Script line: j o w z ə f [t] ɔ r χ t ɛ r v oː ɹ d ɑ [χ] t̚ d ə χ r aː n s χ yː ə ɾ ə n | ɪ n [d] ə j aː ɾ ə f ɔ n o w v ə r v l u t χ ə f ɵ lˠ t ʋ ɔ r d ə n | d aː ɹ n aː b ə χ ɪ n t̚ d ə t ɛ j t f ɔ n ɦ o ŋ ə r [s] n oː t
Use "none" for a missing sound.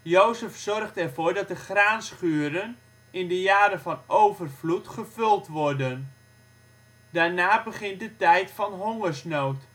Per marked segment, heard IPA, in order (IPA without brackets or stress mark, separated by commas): s, none, d, s